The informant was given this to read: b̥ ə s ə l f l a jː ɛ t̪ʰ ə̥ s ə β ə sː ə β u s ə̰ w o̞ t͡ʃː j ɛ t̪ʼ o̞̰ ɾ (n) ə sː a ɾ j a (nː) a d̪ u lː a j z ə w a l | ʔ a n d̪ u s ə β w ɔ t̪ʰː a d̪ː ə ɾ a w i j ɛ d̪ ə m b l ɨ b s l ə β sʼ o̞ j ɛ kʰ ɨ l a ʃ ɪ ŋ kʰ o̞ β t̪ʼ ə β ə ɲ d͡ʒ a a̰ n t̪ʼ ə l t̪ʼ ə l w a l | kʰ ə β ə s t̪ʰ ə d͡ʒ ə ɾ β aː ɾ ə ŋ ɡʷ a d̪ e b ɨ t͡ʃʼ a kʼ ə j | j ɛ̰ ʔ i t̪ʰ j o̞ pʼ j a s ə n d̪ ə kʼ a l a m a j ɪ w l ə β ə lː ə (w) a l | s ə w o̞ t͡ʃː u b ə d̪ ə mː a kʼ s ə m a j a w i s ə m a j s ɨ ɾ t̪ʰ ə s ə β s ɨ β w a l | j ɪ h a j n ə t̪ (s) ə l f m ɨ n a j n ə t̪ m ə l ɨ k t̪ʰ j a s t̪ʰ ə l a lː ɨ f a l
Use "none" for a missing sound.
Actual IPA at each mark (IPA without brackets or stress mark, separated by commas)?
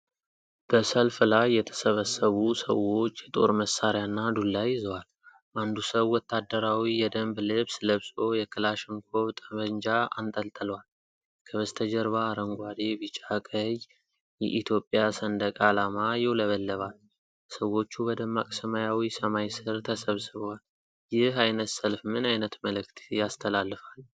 m, nː, β, s